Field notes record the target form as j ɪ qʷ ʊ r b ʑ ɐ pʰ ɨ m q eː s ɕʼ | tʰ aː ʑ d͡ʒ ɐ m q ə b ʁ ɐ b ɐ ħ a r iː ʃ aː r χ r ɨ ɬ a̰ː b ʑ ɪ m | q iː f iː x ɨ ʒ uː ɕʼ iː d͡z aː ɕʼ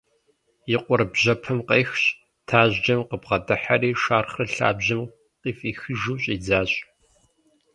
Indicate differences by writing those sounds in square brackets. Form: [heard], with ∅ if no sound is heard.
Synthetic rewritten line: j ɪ qʷ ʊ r b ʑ ɐ pʰ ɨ m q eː [x] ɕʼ | tʰ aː ʑ d͡ʒ ɐ m q ə b ʁ ɐ [d] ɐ ħ a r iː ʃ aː r χ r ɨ ɬ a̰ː b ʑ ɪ m | q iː f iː x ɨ ʒ uː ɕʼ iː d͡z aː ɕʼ